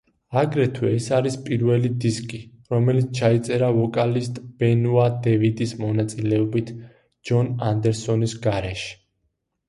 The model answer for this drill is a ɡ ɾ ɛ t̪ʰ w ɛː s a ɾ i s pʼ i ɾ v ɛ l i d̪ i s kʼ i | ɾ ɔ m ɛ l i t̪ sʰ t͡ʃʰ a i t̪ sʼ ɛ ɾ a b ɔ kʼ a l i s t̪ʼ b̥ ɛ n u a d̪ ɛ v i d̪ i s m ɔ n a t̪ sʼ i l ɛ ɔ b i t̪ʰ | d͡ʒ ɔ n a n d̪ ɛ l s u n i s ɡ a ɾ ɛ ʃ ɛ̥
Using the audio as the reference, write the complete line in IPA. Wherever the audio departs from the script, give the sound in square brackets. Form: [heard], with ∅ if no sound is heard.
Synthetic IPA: a ɡ ɾ ɛ t̪ʰ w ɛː s a ɾ i s pʼ i ɾ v ɛ l i d̪ i s kʼ i | ɾ ɔ m ɛ l i t̪ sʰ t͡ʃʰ a i t̪ sʼ ɛ ɾ a [v] ɔ kʼ a l i s t̪ʼ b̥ ɛ n u a d̪ ɛ v i d̪ i s m ɔ n a t̪ sʼ i l ɛ ɔ b i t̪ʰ | d͡ʒ ɔ n a n d̪ ɛ [ɾ] s [ɔ] n i s ɡ a ɾ ɛ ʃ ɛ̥